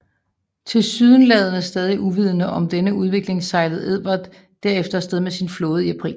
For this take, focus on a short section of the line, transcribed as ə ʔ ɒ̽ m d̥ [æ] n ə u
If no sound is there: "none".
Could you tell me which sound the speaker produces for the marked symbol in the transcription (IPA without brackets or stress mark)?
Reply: e